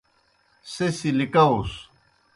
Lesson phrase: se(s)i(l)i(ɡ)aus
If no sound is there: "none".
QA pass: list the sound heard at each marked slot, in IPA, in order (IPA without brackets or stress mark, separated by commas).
s, l, k